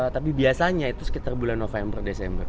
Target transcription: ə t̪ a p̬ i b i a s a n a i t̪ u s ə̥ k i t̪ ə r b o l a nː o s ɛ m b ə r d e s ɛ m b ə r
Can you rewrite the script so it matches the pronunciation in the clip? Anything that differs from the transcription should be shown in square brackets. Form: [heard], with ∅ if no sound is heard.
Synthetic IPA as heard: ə t̪ a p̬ i b i a s a [ɲ] a i t̪ u s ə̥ k i t̪ [a] r b [u] l a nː o [f] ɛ m b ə r d e s ɛ m b ə r